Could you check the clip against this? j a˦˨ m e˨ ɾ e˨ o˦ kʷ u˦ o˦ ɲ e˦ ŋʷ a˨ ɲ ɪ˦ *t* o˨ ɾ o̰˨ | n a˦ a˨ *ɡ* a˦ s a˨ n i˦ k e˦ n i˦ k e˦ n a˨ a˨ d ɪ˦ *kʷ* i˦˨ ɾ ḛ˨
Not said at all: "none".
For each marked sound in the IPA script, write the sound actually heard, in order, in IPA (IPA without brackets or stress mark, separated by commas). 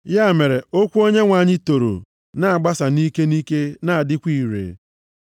t, ɡ͡b, kʷ